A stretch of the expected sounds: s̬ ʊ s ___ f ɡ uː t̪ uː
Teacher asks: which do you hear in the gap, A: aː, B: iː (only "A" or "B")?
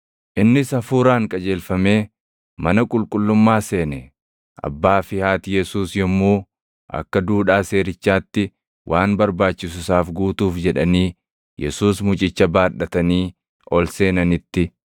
A